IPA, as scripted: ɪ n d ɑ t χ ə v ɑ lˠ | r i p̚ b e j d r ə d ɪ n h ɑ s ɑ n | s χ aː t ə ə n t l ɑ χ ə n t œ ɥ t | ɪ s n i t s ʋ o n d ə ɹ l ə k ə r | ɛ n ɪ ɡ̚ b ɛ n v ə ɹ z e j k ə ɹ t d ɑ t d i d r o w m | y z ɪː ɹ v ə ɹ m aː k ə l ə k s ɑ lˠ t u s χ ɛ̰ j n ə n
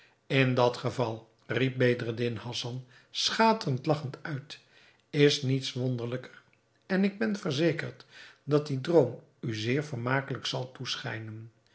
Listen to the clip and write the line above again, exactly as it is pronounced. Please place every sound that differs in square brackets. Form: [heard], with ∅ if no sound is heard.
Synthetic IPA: ɪ n d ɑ t χ ə v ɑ lˠ | r i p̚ b e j d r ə d ɪ n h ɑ s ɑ n | s χ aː t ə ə n t l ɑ χ ə n t œ ɥ t | ɪ s n i t s ʋ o n d ə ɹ l ə k ə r | ɛ n ɪ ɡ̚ b ɛ n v ə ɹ z e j k ə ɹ t d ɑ t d i d r o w m | y z ɪː ɹ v ə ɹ m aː k ə l ə k s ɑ lˠ t u s χ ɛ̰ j n ə n